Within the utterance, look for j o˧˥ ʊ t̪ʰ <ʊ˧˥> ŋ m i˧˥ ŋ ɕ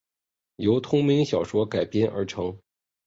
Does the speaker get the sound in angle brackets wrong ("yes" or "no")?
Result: yes